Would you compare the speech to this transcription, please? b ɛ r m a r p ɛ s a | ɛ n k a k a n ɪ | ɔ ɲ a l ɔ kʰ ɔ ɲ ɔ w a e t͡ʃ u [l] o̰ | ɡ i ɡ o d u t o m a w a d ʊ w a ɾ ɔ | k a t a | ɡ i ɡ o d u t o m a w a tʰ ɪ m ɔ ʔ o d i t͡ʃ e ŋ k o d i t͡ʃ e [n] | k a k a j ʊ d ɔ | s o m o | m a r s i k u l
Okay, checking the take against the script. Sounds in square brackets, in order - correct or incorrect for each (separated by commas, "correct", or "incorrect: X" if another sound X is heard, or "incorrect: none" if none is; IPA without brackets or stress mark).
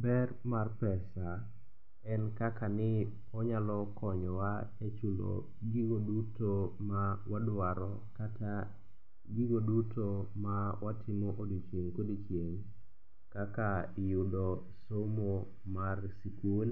correct, incorrect: ŋ